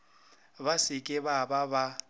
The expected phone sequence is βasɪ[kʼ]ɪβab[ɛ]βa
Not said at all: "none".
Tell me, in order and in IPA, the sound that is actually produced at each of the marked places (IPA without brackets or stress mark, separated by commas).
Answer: kʼ, a